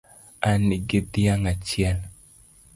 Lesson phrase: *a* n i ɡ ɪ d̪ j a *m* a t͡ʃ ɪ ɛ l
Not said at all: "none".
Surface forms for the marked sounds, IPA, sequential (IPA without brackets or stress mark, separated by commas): a, ŋ